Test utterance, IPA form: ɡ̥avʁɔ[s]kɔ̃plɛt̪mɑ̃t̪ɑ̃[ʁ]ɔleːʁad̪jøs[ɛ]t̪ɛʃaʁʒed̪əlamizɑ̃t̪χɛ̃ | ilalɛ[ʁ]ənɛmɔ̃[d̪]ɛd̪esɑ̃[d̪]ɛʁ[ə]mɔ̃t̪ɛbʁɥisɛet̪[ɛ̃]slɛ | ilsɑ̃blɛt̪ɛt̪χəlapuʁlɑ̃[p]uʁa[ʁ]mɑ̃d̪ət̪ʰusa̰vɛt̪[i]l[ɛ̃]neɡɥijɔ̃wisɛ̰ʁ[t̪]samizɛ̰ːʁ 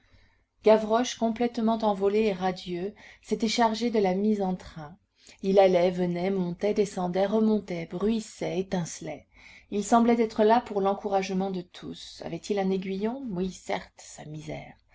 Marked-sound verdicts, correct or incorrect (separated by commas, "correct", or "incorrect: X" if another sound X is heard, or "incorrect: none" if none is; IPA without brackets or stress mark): incorrect: ʃ, incorrect: v, incorrect: e, incorrect: v, incorrect: t̪, correct, correct, correct, incorrect: k, incorrect: ʒ, correct, correct, correct